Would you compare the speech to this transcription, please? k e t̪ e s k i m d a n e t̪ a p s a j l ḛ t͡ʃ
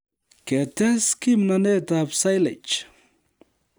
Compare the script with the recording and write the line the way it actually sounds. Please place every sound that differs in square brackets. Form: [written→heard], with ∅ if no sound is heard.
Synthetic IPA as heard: k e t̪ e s k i m [d→n] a n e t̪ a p s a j l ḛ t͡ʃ

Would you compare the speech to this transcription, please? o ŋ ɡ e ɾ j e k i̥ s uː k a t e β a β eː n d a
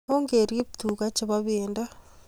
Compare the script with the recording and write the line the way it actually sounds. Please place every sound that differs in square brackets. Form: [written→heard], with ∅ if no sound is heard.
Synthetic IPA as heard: o ŋ ɡ e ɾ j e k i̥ [s→t] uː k a [t→t͡ʃ] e β a β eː n d a

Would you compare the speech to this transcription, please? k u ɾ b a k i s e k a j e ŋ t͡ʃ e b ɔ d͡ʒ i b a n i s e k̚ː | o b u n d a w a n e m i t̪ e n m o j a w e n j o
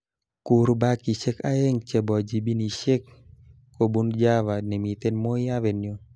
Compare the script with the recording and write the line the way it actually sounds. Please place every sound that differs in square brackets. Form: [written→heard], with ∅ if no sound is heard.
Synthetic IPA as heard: k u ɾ b a k i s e k a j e ŋ t͡ʃ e b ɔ d͡ʒ i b [a→i] n i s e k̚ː | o b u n [d→d͡ʒ] a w a n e m i t̪ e n m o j a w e n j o

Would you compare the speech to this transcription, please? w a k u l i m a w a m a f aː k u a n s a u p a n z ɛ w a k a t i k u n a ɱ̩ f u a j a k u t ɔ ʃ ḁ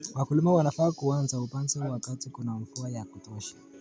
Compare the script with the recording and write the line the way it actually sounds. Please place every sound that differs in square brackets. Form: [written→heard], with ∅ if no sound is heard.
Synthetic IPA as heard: w a k u l i m a w a [m→n] a f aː k u a n [s→z] a u p a n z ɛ w a k a t i k u n a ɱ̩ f u a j a k u t ɔ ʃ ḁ

